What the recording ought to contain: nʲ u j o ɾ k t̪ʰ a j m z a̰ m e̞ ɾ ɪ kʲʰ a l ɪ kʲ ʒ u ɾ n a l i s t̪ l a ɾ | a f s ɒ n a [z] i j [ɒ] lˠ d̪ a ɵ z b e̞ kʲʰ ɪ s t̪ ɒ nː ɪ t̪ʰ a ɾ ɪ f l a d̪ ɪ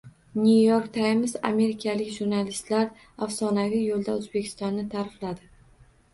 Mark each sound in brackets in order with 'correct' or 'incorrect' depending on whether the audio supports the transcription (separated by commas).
incorrect, incorrect